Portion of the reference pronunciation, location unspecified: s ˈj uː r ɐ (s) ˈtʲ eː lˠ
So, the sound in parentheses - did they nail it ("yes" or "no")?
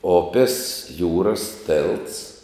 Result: yes